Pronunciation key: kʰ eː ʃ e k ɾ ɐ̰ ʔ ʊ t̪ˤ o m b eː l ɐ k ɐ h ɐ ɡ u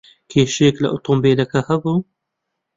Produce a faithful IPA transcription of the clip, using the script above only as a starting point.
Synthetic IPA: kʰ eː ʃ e k l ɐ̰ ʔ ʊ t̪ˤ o m b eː l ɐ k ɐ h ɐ b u